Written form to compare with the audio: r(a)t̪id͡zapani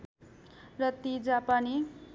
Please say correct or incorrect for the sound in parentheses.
incorrect